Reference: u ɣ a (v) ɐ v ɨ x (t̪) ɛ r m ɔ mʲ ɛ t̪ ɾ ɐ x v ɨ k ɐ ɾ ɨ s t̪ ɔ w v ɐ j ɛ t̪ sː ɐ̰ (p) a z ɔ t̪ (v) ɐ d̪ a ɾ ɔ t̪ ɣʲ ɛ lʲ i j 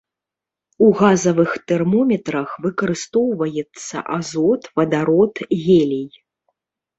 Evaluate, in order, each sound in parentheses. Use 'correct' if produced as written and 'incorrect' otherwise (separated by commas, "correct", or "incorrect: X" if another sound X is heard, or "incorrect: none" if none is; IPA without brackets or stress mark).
incorrect: z, correct, incorrect: ʔ, correct